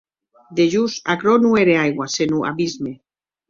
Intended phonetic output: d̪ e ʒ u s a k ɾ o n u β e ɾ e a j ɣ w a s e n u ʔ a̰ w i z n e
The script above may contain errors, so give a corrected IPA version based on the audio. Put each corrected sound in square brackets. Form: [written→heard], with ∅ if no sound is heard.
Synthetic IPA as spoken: d̪ e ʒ u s a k ɾ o n u [β→∅] e ɾ e a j ɣ w a s e n u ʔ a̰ [w→β] i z [n→m] e